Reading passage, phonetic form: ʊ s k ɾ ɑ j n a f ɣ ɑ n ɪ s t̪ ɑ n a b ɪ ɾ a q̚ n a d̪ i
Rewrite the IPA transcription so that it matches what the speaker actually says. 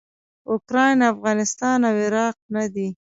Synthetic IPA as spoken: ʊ k ɾ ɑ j n a f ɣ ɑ n ɪ s t̪ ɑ n a w ɪ ɾ ɑ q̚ n a d̪ i

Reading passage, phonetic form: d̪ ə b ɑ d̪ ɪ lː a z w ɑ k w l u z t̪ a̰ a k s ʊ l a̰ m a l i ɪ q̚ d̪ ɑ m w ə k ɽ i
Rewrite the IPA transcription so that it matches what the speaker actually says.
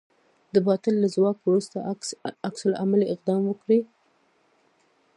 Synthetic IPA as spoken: d̪ ə b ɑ t̪ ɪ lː a z w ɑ k w ɾ u s t̪ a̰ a k s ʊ l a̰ m a l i ɪ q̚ d̪ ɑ m w ə k ɽ i

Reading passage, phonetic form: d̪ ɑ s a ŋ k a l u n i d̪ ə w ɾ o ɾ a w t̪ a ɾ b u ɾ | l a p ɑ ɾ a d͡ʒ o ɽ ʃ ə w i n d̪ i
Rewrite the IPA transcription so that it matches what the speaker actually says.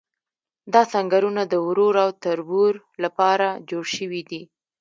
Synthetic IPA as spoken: d̪ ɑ s a ŋ ɡ a ɾ u n a d̪ ə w ɾ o ɾ a w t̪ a ɾ b u ɾ | l a p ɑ ɾ a d͡ʒ o ɽ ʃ ə w i d̪ i

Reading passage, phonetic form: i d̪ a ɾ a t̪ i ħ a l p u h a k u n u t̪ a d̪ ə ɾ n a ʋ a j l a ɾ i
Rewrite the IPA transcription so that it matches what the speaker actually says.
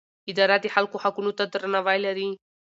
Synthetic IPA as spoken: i d̪ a ɾ a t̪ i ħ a l k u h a k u n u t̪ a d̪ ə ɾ n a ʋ a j l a ɾ i

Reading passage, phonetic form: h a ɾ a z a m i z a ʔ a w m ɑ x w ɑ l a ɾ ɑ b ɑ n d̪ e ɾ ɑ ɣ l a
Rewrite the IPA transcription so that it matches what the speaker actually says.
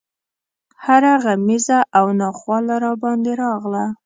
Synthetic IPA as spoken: h a ɾ a ɣ a m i z a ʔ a w n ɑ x w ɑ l a ɾ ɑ b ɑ n d̪ e ɾ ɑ ɣ l a

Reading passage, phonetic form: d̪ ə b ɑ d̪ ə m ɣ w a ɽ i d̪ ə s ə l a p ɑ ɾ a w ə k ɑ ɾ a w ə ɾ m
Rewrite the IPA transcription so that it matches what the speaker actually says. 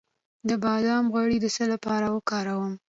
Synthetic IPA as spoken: d̪ ə b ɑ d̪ ɑ m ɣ w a ɽ i d̪ ə s ə l a p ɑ ɾ a w ə k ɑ ɾ a w ə m

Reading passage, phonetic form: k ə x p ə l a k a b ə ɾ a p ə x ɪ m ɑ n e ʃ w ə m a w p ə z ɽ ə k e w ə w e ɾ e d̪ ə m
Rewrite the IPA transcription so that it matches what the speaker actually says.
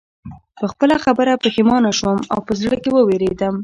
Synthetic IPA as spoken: p ə x p ə l a x a b ə ɾ a p ə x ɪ m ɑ n a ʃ w ə m a w p ə z ɽ ə k e w ə w e ɾ e d̪ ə m

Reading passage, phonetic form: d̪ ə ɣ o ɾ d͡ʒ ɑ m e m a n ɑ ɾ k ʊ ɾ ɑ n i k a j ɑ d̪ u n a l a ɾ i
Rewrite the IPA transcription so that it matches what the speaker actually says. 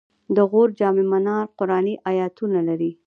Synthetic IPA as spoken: d̪ ə ɣ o ɾ d͡ʒ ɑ m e m a n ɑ ɾ q ʊ ɾ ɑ n i ʔ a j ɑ t̪ u n a l a ɾ i

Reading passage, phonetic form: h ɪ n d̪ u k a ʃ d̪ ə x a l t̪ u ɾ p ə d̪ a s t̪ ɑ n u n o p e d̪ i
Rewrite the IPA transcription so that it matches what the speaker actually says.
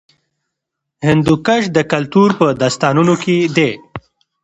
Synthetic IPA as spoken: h ɪ n d̪ u k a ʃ d̪ ə k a l t̪ u ɾ p ə d̪ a s t̪ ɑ n u n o k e d̪ e

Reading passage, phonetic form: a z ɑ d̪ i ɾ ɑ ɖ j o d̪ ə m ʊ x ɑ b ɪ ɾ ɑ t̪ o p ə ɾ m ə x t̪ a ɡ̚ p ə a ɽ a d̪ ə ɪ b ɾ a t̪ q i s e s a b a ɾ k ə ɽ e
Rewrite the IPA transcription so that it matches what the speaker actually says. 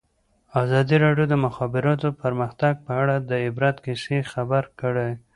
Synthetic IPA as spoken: a z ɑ d̪ i ɾ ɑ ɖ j o d̪ ə m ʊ x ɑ b ɪ ɾ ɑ t̪ o p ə ɾ m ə x t̪ a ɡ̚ p ə a ɽ a d̪ ə ɪ b ɾ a t̪ k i s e x a b a ɾ k ə ɽ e

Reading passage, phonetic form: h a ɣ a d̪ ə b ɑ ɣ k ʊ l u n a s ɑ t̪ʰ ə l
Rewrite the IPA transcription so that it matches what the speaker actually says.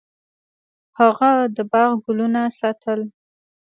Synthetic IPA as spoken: h a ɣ a d̪ ə b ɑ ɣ ɡ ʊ l u n a s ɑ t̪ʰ ə l

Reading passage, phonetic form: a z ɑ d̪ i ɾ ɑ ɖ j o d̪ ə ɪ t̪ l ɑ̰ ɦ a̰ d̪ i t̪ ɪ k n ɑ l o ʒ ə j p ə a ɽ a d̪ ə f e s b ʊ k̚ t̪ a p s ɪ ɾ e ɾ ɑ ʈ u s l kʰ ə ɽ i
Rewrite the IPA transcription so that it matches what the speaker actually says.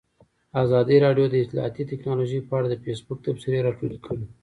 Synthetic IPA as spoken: a z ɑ d̪ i ɾ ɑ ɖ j o d̪ ə ɪ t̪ l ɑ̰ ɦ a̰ t̪ i t̪ ɪ k n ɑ l o ʒ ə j p ə a ɽ a d̪ ə f e s b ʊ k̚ t̪ a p s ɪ ɾ e ɾ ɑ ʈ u l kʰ ə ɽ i

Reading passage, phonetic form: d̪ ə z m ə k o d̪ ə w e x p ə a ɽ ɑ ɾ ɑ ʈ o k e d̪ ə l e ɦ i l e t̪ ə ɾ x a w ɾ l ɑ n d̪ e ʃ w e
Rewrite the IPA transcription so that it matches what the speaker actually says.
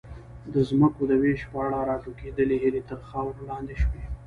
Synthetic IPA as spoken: d̪ ə z m ə k o d̪ ə w e ʃ p ə a ɽ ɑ ɾ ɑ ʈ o k e d̪ ə l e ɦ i l e t̪ ə ɾ x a w ɾ l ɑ n d̪ e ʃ w e

